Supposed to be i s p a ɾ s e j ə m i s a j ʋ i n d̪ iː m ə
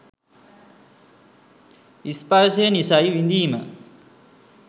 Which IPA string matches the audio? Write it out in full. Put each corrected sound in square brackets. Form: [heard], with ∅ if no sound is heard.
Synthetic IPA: i s p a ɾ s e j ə [n] i s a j ʋ i n d̪ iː m ə